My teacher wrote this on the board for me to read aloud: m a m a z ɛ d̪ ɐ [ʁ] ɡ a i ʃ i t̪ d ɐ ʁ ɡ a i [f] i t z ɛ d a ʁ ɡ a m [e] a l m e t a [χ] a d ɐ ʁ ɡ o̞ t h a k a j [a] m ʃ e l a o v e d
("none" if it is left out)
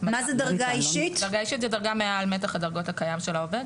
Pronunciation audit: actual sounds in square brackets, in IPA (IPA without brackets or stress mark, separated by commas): ʁ, ʃ, e, χ, a